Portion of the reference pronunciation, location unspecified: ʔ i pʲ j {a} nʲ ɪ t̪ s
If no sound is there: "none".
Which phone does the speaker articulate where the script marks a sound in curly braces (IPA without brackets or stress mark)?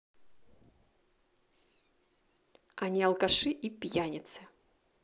a